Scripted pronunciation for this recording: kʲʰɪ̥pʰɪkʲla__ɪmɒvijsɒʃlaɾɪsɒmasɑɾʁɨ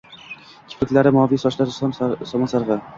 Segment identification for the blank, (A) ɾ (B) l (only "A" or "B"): A